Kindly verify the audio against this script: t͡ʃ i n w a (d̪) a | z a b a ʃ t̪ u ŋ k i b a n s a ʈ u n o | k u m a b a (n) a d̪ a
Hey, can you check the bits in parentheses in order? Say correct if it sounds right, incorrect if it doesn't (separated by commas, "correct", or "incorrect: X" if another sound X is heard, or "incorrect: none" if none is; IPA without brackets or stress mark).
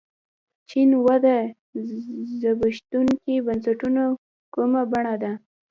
correct, incorrect: ɳ